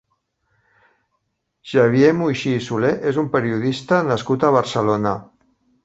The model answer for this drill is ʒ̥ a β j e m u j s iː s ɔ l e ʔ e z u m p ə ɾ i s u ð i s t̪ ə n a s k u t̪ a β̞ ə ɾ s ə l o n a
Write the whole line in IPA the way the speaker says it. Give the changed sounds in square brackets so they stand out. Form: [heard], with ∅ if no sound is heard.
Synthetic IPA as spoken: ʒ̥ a β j e m u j [ʃ] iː s [u] l e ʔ e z u m p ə ɾ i [∅] u ð i s t̪ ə n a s k u t̪ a β̞ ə ɾ s ə l o n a